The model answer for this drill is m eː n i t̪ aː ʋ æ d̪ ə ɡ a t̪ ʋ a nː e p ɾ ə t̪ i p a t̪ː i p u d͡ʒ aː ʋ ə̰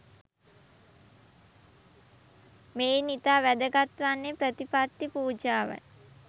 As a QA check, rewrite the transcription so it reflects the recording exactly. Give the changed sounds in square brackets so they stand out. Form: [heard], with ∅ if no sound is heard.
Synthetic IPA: m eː n i t̪ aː ʋ æ d̪ ə ɡ a t̪ ʋ a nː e p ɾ ə t̪ i p a t̪ː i p [uː] d͡ʒ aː ʋ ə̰